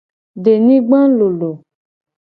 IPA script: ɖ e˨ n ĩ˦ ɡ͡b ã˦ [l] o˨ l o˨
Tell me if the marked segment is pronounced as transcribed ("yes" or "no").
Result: yes